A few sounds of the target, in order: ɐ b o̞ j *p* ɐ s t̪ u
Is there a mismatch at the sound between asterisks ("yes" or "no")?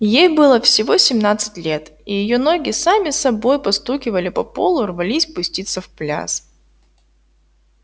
no